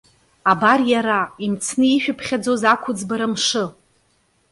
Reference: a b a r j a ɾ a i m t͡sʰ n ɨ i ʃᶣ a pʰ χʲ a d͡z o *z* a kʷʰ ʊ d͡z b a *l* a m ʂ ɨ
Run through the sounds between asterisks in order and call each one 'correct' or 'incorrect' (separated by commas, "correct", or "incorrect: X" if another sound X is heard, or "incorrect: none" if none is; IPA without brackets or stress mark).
correct, incorrect: ɾ